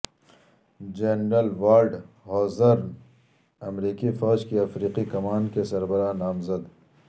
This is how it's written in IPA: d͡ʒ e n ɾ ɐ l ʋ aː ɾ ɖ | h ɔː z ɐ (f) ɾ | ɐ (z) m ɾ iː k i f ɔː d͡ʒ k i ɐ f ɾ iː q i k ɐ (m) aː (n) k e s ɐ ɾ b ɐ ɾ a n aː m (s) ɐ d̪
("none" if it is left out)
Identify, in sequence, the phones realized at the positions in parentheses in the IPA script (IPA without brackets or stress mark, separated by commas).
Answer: none, none, m, n, z